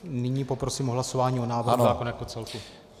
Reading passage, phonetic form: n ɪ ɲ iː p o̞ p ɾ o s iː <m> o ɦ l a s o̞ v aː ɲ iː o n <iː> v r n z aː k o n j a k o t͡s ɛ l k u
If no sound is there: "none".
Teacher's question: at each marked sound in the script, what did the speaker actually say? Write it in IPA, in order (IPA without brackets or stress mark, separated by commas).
m, aː